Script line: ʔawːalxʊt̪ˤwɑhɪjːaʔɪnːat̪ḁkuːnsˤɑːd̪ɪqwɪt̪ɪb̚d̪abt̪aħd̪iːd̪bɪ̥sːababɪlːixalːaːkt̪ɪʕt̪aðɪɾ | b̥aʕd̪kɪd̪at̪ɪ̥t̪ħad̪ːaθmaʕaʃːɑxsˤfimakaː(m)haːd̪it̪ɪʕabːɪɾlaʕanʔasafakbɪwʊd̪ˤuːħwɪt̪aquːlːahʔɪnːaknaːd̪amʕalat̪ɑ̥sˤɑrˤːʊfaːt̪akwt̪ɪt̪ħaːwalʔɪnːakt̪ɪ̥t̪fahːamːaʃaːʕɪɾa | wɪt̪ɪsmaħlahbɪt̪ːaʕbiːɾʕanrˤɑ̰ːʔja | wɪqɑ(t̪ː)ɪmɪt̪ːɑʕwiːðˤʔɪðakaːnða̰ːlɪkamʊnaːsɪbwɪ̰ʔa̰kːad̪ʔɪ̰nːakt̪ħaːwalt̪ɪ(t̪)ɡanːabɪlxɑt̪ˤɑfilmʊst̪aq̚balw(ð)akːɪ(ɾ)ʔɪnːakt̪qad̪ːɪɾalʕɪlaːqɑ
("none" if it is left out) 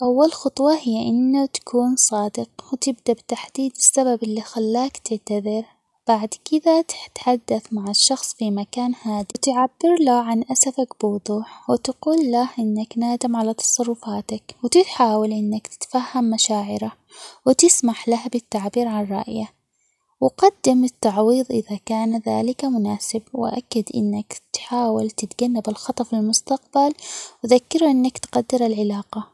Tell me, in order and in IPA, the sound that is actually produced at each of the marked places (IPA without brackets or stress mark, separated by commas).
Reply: n, d̪ː, t̪, ð, ɾ